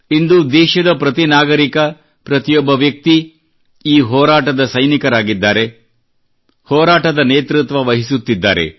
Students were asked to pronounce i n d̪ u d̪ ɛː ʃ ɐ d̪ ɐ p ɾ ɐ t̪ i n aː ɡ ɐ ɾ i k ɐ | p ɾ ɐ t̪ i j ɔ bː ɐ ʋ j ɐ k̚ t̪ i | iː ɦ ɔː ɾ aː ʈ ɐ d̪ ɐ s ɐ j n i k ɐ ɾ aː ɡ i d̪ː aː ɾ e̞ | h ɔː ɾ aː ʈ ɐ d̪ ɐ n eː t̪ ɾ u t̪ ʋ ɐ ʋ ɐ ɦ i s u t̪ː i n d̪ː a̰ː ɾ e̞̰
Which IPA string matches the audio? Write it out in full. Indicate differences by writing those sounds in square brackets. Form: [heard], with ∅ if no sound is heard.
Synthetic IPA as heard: i n d̪ u d̪ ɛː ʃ ɐ d̪ ɐ p ɾ ɐ t̪ i n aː ɡ ɐ ɾ i k ɐ | p ɾ ɐ t̪ i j ɔ bː ɐ ʋ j ɐ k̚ t̪ i | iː ɦ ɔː ɾ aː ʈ ɐ d̪ ɐ s ɐ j n i k ɐ ɾ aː ɡ i d̪ː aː ɾ e̞ | h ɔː ɾ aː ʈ ɐ d̪ ɐ n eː t̪ ɾ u t̪ ʋ ɐ ʋ ɐ ɦ i s u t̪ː i [∅] d̪ː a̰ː ɾ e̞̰